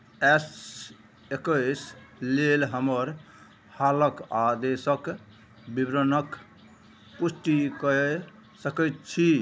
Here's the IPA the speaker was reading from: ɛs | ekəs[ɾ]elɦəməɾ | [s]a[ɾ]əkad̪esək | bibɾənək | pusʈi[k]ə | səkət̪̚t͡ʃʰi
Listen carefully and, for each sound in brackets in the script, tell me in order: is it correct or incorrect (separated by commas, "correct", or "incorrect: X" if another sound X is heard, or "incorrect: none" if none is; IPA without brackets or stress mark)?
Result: incorrect: l, incorrect: h, incorrect: l, correct